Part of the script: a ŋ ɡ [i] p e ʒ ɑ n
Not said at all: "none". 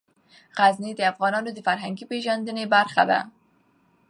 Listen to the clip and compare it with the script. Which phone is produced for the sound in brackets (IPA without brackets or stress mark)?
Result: i